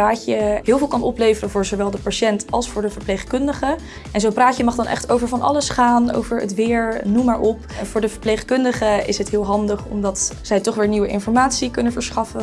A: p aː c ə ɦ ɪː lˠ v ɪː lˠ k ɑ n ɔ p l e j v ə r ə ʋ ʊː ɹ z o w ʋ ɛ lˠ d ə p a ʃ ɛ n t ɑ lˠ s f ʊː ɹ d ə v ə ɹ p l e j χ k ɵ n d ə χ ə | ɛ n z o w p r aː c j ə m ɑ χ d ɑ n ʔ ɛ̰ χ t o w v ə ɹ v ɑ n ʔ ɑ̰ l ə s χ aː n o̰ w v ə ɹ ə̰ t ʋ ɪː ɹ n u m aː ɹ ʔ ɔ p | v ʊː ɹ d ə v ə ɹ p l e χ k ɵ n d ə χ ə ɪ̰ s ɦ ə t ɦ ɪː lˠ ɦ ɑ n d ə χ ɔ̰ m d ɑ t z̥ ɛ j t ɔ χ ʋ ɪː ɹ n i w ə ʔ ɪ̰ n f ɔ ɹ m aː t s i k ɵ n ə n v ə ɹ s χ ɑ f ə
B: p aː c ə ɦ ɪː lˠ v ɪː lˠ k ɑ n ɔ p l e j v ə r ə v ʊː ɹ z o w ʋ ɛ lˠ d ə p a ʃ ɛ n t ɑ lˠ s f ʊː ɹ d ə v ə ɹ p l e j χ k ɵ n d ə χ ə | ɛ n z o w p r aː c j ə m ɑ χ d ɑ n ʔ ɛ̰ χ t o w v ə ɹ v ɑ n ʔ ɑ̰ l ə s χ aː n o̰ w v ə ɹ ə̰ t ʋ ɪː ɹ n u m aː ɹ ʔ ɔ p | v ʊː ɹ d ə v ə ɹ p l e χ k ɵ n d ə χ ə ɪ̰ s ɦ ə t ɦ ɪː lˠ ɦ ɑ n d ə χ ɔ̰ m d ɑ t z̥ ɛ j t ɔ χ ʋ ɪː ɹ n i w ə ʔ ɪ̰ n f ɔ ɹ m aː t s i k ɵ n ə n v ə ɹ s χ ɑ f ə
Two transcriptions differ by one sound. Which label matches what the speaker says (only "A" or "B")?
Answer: B